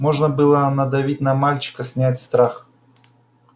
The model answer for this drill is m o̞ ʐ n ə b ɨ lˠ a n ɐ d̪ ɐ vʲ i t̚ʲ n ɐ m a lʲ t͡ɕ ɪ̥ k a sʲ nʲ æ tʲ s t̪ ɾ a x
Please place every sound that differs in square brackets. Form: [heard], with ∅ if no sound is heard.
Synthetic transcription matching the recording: m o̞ ʐ n ə b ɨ lˠ [ə] n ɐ d̪ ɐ vʲ i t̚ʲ n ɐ m a lʲ t͡ɕ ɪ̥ k [ə] sʲ nʲ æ tʲ s t̪ ɾ a x